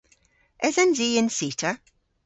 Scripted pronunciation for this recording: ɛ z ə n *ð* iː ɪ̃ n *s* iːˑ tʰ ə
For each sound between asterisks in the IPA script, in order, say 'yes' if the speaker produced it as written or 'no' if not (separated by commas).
no, yes